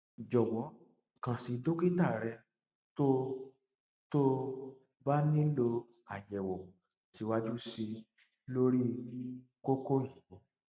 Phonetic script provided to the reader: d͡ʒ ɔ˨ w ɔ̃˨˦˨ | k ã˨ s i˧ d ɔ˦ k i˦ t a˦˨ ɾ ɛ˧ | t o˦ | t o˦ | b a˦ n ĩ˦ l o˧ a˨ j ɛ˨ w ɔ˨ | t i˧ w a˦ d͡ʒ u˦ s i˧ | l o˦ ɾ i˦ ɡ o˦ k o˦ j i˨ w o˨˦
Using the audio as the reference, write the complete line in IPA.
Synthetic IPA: d͡ʒ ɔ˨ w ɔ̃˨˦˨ | k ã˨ s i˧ d o˦ k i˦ t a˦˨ ɾ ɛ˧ | t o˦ | t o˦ | b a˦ n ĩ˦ l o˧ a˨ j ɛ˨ w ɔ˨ | t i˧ w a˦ d͡ʒ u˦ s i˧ | l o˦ ɾ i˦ k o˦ k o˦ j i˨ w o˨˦